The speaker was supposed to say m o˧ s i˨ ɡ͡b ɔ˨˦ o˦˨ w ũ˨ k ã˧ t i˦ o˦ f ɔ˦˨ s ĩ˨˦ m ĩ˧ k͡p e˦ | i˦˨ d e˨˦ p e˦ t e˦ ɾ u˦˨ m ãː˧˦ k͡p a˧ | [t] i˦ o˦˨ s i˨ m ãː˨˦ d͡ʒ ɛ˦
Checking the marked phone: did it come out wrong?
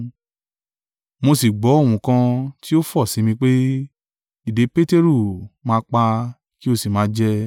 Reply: yes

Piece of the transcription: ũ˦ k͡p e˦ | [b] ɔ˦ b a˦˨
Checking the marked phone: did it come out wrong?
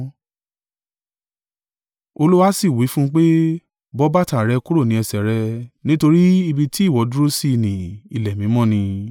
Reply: no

